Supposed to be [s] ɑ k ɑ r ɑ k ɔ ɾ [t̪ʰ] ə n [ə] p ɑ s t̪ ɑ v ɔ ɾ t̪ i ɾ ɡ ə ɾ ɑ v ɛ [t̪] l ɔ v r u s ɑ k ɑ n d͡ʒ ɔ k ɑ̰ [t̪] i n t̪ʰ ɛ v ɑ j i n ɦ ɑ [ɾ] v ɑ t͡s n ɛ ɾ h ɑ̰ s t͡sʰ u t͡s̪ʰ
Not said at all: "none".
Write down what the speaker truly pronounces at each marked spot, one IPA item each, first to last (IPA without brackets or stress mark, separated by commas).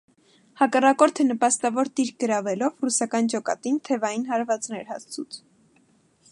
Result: h, t̪ʰ, ə, none, t̪, ɾ